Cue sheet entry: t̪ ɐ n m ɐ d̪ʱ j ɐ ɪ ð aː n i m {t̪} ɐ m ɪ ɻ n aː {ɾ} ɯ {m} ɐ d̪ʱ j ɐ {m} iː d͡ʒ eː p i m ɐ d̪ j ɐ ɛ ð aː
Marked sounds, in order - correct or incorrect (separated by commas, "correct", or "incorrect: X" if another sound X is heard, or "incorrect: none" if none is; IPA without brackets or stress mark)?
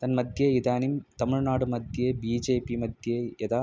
correct, incorrect: ɽ, correct, incorrect: b